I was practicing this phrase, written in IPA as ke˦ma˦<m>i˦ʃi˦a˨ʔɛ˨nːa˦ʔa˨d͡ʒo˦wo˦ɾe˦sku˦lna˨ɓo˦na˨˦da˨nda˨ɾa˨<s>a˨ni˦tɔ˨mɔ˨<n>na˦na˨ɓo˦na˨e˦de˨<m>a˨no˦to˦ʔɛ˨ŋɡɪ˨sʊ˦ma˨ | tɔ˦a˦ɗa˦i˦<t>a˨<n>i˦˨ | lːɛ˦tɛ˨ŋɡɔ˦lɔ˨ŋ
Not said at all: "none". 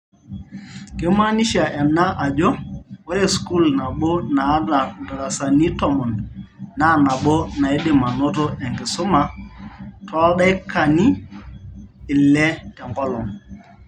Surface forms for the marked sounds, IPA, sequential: n, s, n, m, k, n

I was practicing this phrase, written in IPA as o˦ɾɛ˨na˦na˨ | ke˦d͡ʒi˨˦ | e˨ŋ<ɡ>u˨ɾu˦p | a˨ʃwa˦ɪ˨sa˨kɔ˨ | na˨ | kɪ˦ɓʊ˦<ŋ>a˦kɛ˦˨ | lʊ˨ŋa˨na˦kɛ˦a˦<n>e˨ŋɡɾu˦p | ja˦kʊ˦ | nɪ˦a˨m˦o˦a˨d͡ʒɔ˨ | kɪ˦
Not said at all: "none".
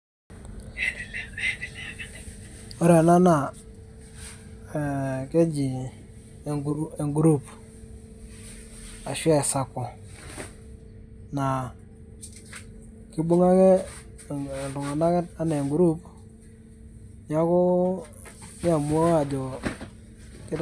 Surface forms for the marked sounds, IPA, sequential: ɡ, ŋ, n

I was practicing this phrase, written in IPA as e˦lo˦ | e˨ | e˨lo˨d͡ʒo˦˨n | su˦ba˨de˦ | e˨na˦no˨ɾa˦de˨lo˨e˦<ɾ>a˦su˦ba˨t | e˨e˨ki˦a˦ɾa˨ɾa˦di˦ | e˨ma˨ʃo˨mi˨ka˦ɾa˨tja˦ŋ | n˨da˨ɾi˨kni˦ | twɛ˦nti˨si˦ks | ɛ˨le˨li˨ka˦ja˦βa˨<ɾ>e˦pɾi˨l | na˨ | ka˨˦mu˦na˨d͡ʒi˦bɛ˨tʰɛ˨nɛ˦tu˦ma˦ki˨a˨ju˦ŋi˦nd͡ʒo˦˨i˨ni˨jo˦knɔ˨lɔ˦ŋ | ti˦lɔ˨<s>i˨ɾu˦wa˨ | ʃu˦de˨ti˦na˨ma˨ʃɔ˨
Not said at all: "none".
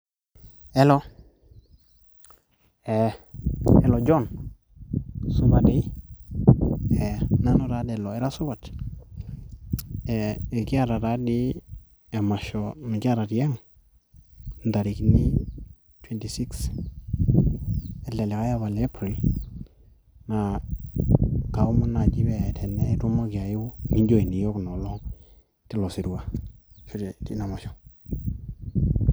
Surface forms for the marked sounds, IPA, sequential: ɾ, l, s

